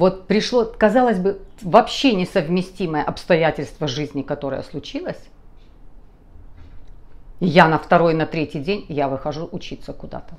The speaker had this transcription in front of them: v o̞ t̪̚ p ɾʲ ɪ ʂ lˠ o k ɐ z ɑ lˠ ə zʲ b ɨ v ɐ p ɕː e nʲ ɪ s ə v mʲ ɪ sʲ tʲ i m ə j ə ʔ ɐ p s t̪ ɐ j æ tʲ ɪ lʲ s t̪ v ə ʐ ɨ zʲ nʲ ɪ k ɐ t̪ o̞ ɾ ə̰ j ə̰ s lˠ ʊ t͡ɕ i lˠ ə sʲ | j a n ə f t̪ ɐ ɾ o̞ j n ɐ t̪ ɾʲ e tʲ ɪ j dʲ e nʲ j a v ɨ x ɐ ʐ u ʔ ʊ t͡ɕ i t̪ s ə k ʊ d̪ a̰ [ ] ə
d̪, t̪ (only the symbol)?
t̪